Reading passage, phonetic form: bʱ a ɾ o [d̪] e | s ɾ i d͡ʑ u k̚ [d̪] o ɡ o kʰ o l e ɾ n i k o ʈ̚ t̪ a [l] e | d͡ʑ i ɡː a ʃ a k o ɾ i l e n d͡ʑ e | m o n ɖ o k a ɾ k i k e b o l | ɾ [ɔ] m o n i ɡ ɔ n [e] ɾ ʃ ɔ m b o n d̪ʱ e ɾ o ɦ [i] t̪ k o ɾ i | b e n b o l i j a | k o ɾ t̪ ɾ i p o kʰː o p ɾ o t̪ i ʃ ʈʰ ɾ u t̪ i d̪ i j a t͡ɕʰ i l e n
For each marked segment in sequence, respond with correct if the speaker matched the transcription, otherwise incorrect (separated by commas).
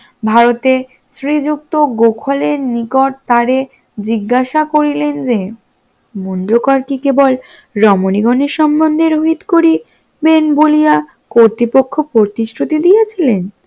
incorrect, incorrect, incorrect, correct, correct, correct